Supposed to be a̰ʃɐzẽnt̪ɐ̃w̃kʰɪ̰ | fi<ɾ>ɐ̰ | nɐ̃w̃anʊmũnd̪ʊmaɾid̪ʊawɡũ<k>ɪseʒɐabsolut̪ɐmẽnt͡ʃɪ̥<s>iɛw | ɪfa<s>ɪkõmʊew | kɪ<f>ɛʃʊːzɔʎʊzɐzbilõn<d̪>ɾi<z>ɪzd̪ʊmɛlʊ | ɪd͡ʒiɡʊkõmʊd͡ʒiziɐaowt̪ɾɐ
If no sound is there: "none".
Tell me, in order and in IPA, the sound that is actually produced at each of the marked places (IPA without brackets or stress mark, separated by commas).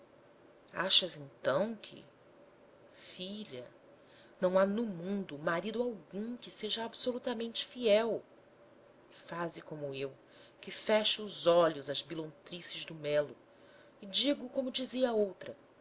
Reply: ʎ, k, f, z, f, t̪, s